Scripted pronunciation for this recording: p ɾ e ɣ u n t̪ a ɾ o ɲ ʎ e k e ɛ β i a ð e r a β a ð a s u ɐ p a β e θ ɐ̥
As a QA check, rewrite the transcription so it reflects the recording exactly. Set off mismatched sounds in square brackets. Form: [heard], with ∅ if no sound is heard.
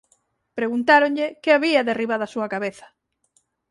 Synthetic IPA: p ɾ e ɣ u n t̪ a ɾ o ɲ ʎ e k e [a] β i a ð e r [i] β a ð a s u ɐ [k] a β e θ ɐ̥